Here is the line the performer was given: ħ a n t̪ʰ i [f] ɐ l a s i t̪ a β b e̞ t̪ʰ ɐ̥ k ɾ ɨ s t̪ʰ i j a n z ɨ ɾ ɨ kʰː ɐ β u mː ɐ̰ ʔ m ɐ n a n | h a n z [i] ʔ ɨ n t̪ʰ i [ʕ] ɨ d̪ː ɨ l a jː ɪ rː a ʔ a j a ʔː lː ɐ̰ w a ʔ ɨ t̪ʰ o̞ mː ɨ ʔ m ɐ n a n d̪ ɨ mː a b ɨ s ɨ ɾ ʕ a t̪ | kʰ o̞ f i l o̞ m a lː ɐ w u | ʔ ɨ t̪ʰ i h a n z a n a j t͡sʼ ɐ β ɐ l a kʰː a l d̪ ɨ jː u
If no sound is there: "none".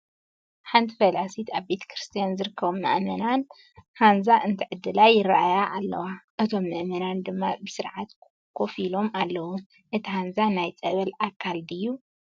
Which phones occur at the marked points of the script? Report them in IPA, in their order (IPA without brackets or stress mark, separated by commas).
f, a, ʕ